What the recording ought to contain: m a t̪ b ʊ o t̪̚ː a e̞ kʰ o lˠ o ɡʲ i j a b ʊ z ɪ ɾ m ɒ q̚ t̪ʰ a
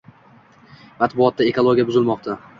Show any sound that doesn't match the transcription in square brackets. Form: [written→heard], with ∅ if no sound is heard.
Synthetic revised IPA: m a t̪ b ʊ [o→ɒ] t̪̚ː a e̞ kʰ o lˠ o ɡʲ i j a b ʊ z ɪ [ɾ→l] m ɒ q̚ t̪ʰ a